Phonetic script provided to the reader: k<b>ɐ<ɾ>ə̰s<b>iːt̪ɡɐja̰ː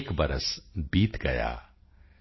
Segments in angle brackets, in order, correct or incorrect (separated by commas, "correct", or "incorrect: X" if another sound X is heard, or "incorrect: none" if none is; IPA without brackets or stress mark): correct, correct, correct